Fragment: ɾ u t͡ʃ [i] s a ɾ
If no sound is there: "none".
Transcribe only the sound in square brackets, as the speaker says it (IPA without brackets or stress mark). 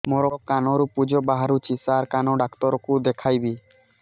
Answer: i